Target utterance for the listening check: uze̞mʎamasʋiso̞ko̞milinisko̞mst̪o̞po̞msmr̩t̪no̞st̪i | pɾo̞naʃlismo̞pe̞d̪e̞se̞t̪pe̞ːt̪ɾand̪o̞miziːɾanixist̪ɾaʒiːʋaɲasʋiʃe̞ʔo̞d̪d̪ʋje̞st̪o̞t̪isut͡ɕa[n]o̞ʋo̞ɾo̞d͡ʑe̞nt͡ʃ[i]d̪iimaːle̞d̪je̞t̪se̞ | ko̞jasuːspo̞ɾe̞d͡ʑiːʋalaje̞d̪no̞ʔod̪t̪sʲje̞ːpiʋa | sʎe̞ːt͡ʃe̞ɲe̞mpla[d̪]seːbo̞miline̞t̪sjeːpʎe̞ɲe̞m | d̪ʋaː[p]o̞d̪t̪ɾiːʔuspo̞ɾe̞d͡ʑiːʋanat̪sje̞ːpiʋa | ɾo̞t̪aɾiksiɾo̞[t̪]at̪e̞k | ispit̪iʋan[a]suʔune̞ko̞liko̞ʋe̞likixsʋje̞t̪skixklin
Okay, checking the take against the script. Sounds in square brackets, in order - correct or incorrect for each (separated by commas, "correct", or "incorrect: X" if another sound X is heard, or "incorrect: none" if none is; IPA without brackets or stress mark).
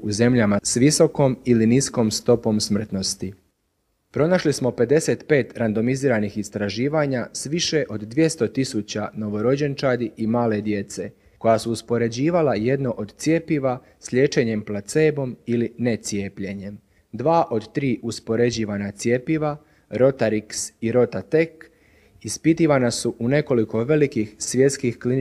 correct, incorrect: a, incorrect: t̪, incorrect: ʔ, correct, correct